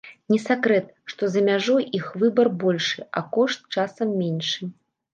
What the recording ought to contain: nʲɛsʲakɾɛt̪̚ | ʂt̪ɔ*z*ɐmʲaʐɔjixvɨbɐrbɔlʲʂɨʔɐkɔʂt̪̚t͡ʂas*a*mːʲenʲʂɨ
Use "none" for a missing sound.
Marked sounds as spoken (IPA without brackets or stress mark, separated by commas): z, ɐ